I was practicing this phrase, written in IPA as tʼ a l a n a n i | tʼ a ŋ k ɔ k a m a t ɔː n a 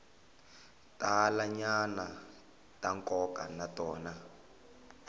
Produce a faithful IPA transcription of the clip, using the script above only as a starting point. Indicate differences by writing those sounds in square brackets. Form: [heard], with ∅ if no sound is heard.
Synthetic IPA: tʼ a l a [ɲ] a n [a] | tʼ a ŋ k ɔ k a [n] a t ɔː n a

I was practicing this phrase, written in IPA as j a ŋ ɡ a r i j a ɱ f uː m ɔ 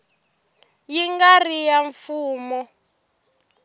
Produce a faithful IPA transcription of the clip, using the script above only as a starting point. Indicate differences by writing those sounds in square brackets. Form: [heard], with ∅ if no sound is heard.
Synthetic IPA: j [i] ŋ ɡ a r i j a ɱ f uː m ɔ

